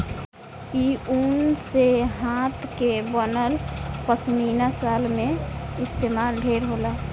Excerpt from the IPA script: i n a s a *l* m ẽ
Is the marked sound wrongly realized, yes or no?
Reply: no